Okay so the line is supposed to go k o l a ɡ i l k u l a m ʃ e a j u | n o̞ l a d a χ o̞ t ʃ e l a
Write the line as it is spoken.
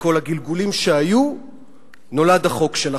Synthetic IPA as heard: k o l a ɡ i l ɡ u l i m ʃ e a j u | n o̞ l a d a χ o̞ k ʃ e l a